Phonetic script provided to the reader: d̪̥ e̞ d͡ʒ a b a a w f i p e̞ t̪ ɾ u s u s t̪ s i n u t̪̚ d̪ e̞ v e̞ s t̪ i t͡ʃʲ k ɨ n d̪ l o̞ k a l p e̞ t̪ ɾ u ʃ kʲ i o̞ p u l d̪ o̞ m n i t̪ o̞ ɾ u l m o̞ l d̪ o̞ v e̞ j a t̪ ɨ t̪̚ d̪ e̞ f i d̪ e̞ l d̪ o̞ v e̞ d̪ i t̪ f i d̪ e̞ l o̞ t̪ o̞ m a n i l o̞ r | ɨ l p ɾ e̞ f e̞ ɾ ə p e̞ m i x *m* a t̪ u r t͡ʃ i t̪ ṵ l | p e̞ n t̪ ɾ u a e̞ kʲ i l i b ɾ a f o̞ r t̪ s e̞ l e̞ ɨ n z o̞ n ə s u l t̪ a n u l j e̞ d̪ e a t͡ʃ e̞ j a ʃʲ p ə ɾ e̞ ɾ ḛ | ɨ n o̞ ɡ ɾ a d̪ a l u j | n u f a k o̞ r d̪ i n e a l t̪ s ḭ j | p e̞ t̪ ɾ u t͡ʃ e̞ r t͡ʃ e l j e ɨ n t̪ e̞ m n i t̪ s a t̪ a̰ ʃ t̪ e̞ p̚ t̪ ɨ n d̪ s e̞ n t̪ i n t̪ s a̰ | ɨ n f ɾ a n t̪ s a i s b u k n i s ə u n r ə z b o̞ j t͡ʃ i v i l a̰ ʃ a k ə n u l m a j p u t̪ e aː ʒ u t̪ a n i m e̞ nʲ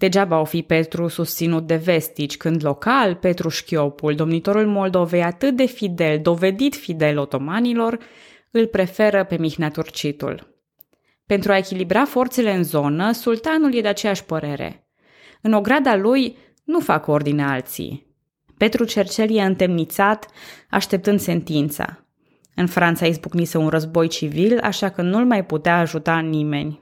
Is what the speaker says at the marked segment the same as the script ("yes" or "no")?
no